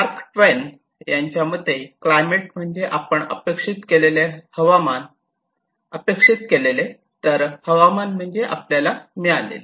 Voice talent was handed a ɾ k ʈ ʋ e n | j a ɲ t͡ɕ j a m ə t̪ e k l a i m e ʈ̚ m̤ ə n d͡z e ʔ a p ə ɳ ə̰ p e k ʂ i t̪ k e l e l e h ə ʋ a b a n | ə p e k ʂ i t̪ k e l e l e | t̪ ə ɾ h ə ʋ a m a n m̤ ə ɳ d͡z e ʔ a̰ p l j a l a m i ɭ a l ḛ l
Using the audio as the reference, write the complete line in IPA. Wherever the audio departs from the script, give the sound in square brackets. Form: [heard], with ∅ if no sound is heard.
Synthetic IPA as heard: a ɾ k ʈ ʋ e n | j a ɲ t͡ɕ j a m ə t̪ e k l a [j] m e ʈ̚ m̤ ə [ɳ] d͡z e ʔ a p ə ɳ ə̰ p e k ʂ i t̪ k e l e l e h ə ʋ a [m] a n | ə p e k ʂ i t̪ k e l e l e | t̪ ə ɾ h ə ʋ a m a n m̤ ə ɳ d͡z e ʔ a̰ p l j a l a m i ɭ a l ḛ l